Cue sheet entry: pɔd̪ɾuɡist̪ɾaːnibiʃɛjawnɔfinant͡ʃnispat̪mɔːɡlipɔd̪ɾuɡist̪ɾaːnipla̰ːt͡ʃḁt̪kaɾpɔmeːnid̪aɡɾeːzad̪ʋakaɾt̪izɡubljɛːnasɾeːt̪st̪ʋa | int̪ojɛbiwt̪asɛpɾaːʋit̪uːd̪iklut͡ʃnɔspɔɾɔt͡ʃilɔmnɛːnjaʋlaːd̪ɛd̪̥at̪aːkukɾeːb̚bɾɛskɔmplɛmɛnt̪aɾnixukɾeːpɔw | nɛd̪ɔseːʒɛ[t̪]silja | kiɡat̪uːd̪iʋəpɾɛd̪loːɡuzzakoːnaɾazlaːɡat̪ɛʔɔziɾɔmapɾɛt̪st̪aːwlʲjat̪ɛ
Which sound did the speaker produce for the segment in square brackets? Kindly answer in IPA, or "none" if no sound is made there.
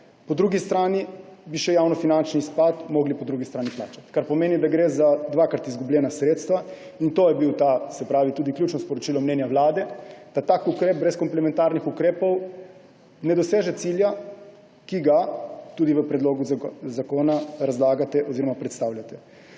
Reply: t̪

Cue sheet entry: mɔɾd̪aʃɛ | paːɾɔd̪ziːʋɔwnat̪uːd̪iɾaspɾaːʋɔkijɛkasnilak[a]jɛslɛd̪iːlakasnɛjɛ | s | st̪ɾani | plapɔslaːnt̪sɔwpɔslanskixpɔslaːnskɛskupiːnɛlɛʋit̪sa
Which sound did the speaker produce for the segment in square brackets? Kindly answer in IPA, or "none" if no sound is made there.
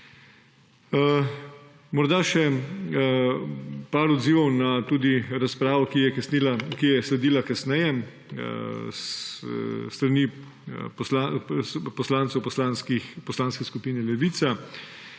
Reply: i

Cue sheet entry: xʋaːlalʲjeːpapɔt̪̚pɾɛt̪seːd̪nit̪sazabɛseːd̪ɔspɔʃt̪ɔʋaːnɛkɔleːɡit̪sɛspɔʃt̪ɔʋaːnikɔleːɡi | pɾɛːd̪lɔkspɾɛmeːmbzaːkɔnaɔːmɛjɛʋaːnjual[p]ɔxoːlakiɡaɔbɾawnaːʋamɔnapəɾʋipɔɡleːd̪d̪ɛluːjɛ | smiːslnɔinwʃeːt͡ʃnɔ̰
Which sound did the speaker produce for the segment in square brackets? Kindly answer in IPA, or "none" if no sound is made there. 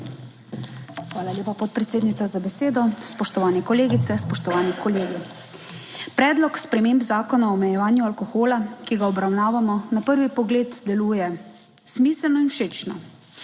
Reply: k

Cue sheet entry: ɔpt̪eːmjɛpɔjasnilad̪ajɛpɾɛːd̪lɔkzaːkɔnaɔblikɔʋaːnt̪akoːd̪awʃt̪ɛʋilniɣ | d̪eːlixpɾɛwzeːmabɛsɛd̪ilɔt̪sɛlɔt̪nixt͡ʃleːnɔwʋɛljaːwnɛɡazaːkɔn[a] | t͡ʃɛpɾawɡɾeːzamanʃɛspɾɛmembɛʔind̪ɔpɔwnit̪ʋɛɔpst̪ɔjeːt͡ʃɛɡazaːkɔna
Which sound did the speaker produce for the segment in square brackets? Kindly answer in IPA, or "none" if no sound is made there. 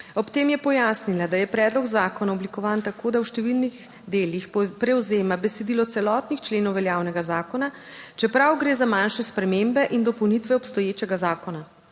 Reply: a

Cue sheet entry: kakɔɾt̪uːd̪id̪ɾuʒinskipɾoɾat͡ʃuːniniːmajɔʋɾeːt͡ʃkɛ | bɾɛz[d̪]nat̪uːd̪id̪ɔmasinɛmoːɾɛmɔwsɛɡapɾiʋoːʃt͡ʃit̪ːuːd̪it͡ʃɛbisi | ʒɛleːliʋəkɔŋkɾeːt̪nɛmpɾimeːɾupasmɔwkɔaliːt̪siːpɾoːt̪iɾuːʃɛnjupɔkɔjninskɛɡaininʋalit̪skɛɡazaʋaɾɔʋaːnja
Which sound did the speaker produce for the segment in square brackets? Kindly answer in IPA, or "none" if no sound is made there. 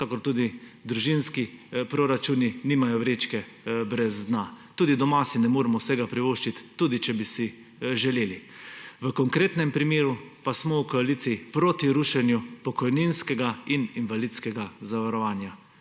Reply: d̪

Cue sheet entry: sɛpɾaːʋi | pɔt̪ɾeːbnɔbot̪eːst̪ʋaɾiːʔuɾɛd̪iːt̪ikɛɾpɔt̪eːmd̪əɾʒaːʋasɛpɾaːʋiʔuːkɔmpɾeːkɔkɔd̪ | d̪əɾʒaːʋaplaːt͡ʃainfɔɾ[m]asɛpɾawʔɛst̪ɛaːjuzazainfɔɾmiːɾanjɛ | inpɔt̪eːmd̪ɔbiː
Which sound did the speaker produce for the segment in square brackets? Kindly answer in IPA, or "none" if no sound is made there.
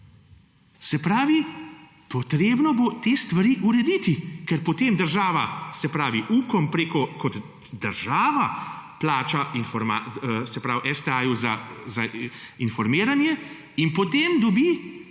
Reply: m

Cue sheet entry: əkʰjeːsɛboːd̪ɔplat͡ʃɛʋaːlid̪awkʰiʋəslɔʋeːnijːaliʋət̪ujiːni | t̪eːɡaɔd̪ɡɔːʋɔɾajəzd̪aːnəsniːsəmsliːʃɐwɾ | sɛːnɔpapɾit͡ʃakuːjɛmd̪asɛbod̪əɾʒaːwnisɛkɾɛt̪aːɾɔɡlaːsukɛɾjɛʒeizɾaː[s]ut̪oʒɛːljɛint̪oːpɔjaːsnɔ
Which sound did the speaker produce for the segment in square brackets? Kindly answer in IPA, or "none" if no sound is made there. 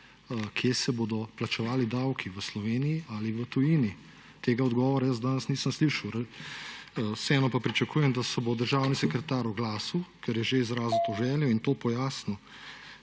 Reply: z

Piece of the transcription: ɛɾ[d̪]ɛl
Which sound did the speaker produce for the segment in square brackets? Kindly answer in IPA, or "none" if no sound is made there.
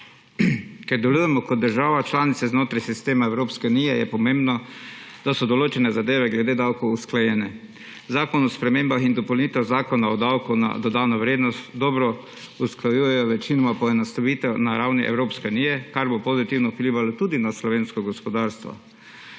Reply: d̪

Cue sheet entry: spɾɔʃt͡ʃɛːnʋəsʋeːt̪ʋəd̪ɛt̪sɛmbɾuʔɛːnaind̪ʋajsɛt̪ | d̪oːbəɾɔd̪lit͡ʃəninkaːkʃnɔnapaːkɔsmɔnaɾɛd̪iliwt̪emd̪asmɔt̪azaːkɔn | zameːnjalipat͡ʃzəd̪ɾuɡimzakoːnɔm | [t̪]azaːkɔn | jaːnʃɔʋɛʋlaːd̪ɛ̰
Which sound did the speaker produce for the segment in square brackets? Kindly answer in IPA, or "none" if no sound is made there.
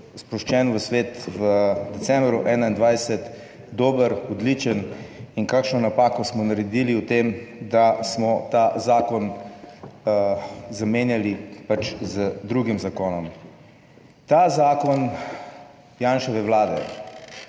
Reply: t̪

